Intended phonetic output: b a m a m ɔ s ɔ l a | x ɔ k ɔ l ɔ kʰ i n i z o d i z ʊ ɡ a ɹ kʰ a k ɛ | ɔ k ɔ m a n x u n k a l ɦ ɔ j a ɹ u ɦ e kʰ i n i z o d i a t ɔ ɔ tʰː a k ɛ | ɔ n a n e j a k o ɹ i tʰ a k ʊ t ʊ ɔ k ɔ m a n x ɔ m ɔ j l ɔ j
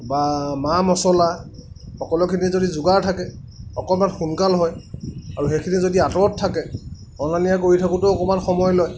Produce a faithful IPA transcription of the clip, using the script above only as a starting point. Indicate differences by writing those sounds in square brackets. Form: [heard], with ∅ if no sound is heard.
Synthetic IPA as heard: b a m a m ɔ s ɔ l a | x ɔ k ɔ l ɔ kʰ i n i z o d i z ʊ ɡ a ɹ [tʰ] a k ɛ | ɔ k ɔ m a n x u n k a l ɦ ɔ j a ɹ u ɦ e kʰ i n i z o d i a t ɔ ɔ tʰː a k ɛ | ɔ n a n [i] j a k o ɹ i tʰ a k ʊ t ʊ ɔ k ɔ m a n x ɔ m ɔ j l ɔ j